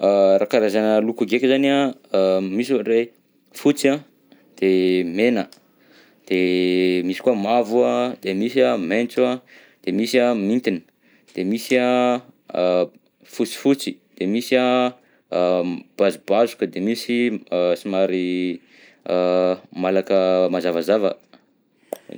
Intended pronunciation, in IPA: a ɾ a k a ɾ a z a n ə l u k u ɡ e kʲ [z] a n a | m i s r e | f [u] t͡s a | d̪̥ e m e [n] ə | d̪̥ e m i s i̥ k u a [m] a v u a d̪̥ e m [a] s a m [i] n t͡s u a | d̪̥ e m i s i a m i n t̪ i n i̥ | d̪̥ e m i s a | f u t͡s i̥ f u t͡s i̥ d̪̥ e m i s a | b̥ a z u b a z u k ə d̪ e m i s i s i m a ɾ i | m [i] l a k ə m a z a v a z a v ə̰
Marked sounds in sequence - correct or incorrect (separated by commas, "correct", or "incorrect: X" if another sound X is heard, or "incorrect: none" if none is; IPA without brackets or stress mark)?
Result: correct, correct, correct, correct, incorrect: i, incorrect: e, incorrect: a